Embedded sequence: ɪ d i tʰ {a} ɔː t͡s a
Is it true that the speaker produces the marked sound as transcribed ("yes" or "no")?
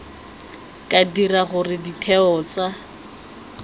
no